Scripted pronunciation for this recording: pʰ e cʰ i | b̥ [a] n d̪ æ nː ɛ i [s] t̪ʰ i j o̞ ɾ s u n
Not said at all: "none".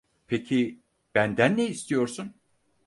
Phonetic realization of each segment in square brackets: æ, s

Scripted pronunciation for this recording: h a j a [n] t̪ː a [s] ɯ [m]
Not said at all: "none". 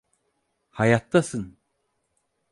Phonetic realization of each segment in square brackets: none, s, n

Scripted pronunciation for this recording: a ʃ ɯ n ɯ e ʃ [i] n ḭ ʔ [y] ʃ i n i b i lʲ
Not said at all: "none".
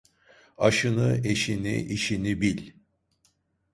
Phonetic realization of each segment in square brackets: i, i

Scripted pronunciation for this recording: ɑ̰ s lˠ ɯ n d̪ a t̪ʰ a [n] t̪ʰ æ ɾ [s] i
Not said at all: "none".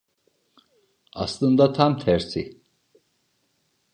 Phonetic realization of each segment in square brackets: m, s

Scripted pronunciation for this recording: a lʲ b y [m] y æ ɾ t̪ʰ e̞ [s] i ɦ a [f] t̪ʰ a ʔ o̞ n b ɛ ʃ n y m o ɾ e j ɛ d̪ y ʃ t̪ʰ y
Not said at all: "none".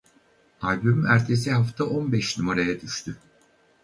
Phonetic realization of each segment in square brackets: m, s, f

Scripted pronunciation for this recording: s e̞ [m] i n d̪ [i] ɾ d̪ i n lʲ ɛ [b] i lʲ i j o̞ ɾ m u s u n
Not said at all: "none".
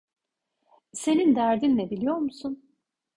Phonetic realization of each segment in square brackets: n, æ, b

